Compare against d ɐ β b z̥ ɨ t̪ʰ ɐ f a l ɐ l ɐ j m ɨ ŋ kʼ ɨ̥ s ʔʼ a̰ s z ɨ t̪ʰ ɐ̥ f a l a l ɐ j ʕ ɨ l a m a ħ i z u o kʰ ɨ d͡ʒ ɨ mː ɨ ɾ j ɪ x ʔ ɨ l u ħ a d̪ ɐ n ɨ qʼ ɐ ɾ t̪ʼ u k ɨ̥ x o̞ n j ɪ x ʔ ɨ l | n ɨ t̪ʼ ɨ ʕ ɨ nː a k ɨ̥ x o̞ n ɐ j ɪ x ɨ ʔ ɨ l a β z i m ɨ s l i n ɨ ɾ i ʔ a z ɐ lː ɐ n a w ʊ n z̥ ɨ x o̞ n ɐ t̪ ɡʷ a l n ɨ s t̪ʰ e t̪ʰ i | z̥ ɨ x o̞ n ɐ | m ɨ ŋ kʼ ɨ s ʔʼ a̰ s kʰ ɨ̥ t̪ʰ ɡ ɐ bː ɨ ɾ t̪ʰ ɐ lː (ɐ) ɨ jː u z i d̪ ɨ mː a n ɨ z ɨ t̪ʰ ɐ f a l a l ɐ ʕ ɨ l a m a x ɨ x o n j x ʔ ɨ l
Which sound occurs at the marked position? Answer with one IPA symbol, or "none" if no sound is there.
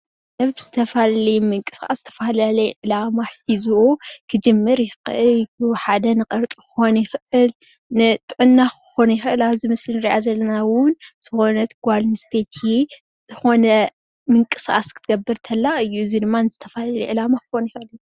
a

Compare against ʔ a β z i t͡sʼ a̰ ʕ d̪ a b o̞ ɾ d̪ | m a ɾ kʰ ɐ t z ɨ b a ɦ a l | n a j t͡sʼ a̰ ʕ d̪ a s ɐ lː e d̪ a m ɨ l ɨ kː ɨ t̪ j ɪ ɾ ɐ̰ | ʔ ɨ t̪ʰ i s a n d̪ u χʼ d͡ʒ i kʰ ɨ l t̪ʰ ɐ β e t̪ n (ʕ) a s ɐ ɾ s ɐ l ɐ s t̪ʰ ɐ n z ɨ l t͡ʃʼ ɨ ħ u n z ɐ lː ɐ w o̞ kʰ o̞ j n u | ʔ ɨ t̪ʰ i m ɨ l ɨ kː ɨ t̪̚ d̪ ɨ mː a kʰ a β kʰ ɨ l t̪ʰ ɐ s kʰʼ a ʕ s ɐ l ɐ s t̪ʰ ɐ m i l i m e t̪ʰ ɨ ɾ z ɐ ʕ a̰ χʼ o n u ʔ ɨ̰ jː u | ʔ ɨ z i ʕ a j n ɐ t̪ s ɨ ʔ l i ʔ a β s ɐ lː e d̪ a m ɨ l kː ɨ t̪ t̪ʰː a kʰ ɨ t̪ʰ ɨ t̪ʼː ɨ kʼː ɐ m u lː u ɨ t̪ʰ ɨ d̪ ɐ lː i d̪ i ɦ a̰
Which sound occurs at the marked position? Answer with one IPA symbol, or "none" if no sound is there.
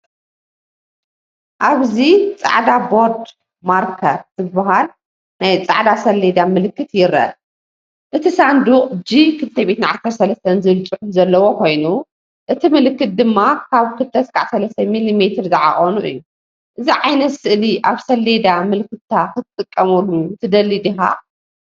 ʕ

